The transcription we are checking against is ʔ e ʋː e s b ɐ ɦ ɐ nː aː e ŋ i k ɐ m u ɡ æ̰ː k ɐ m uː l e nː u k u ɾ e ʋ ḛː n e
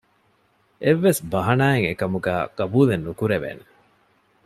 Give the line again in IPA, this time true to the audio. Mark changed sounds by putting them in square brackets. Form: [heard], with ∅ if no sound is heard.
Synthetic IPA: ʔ e ʋː e s b ɐ ɦ ɐ [n] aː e ŋ [e] k ɐ m u ɡ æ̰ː k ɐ [b] uː l e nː u k u ɾ e ʋ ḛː n e